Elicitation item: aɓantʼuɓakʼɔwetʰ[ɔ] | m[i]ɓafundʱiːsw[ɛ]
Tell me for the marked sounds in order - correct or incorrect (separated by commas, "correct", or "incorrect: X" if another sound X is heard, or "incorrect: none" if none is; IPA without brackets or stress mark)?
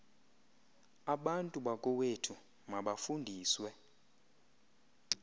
incorrect: u, incorrect: a, correct